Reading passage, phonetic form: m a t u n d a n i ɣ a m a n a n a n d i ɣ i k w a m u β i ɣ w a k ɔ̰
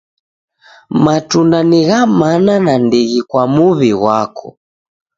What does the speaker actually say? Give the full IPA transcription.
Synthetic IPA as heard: m a t u n d a n i ɣ a m a n a n a n d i ɣ i k w a m u β i ɣ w a k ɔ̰